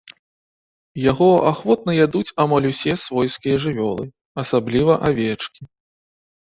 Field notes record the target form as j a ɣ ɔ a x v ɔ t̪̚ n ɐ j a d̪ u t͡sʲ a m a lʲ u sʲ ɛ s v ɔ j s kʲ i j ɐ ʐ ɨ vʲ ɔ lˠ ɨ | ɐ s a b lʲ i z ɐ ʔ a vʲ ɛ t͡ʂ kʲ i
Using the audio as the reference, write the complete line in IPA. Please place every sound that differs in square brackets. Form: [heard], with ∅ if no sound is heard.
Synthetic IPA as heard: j a ɣ ɔ a x v ɔ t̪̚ n ɐ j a d̪ u t͡sʲ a m a lʲ u sʲ ɛ s v ɔ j s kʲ i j ɐ ʐ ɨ vʲ ɔ lˠ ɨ | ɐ s a b lʲ i [v] ɐ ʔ a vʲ ɛ t͡ʂ kʲ i